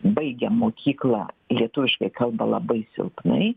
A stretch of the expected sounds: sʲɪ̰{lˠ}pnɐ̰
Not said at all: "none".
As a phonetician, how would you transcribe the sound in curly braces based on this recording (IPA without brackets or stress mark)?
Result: lˠ